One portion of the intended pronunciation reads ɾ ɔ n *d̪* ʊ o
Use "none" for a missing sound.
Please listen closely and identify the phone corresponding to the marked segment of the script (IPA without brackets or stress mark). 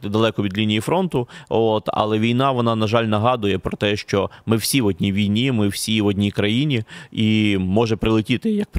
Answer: t̪